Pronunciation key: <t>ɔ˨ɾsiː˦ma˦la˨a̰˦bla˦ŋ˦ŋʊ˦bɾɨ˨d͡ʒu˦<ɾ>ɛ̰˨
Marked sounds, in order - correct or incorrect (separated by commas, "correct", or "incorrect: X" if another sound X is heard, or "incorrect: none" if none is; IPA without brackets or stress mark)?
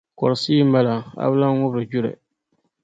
incorrect: k, correct